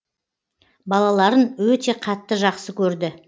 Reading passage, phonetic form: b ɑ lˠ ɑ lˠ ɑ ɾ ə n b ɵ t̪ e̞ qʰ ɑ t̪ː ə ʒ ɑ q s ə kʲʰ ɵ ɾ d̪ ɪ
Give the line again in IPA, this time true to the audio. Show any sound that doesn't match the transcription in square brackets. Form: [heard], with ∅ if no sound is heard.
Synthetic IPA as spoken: b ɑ lˠ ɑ lˠ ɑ ɾ ə n [w] ɵ t̪ e̞ qʰ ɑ t̪ː ə ʒ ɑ q s ə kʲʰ ɵ ɾ d̪ ɪ